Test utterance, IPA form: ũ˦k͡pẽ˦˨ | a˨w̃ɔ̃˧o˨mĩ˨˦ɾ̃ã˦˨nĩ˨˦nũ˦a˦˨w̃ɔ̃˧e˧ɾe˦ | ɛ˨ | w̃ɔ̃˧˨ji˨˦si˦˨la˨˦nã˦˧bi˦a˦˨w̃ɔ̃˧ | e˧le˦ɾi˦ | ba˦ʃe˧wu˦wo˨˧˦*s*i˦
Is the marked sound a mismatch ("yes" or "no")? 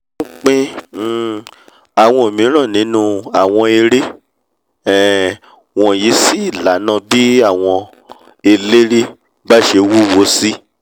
no